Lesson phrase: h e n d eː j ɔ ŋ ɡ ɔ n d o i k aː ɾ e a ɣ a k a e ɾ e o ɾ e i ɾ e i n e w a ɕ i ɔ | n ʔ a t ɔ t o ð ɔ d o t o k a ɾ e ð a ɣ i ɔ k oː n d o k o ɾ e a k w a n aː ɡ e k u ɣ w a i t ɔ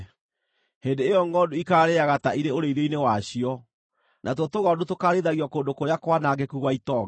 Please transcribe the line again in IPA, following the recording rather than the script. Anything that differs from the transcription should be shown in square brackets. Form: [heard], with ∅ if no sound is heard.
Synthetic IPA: h e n d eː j ɔ ŋ ɡ ɔ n d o i k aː ɾ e a ɣ a [t] a [i] ɾ e o ɾ e i ɾ e i n e w a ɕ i ɔ | n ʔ a t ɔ t o [ɣ] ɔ d o t o k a ɾ e ð a ɣ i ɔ k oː n d o k o ɾ e a k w a n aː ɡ e k u ɣ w a i t ɔ